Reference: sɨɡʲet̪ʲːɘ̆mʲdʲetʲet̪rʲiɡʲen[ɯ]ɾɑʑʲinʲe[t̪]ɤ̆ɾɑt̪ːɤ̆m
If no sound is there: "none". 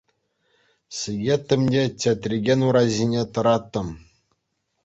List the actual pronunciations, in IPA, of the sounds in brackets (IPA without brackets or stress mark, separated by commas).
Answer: u, t̪